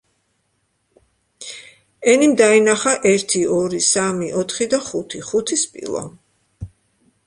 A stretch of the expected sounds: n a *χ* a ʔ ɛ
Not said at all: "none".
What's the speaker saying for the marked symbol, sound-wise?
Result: χ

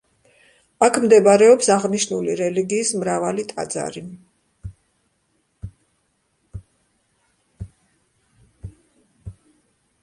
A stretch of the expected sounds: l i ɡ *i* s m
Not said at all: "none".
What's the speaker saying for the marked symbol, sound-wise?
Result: iː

